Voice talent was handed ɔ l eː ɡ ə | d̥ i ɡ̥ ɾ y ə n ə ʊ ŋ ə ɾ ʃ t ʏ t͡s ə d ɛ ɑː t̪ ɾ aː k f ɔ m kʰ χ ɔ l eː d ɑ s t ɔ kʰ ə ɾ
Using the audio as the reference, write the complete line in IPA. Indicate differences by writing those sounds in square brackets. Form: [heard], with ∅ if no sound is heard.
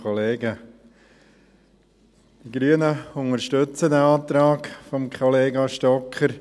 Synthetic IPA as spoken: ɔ l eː ɡ ə | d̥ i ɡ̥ ɾ y ə n ə ʊ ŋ ə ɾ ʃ t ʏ t͡s ə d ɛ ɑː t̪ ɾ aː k f ɔ m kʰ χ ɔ l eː [ɡ] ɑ [ʃ] t ɔ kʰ ə ɾ